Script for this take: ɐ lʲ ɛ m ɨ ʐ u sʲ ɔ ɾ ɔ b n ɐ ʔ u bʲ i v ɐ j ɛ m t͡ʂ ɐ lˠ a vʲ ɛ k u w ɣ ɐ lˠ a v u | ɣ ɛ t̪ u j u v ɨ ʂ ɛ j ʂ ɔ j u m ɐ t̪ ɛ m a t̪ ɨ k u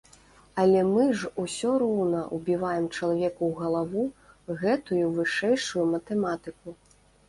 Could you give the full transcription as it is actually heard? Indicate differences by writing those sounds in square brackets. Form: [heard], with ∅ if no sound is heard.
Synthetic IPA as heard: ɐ lʲ ɛ m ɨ ʐ u sʲ ɔ ɾ ɔ [w] n ɐ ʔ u bʲ i v [a] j ɛ m t͡ʂ ɐ lˠ a vʲ ɛ k u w ɣ ɐ lˠ a v u | ɣ ɛ t̪ u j u v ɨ ʂ ɛ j ʂ [u] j u m ɐ t̪ ɛ m a t̪ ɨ k u